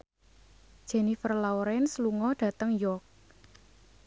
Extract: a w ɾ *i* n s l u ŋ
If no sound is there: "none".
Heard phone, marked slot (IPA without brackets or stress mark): ɛ